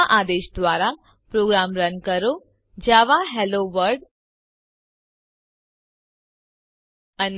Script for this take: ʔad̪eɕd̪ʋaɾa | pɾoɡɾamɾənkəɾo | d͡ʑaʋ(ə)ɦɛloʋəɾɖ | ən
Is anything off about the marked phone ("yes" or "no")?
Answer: yes